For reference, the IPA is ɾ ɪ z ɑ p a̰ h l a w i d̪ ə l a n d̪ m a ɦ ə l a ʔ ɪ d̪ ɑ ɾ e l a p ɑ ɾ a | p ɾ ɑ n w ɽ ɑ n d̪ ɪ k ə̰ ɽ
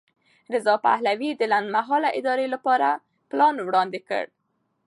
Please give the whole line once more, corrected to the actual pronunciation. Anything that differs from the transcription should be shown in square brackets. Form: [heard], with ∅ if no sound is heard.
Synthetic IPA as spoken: ɾ ɪ z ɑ p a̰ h l a w i d̪ ə l a n d̪ m a ɦ [ɑ] l a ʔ ɪ d̪ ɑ ɾ e l a p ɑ ɾ a | p [l] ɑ n w ɽ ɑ n d̪ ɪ k ə̰ ɽ